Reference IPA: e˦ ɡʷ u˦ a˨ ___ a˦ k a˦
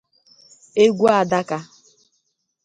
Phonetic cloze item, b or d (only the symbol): d